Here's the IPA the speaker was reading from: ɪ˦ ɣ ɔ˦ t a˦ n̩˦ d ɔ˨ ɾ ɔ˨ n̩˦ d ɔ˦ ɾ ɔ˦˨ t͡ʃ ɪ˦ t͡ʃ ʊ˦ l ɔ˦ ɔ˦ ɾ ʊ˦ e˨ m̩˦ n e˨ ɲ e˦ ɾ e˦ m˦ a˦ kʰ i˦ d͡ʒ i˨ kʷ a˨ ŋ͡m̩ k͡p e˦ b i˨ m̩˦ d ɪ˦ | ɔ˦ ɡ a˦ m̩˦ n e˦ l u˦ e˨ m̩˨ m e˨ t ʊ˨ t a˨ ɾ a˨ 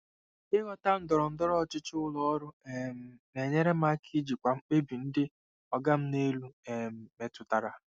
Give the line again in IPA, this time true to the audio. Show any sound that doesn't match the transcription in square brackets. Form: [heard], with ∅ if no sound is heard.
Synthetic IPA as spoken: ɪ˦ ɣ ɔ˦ t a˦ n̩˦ d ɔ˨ ɾ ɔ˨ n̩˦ d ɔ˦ ɾ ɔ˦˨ t͡ʃ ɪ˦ t͡ʃ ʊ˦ l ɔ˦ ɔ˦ ɾ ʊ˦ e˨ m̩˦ n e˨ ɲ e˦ ɾ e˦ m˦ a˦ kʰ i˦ d͡ʒ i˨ kʷ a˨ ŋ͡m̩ k͡p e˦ b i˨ [n̩˦] d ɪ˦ | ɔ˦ ɡ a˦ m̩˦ n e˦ l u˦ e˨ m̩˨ m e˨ t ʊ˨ t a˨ ɾ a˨